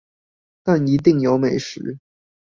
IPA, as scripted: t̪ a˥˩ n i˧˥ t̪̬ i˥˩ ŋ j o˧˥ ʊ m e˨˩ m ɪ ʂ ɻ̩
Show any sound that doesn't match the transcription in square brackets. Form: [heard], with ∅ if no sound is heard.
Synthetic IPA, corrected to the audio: t̪ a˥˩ n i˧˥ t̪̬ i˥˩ ŋ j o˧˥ ʊ m e˨˩ [∅] ɪ ʂ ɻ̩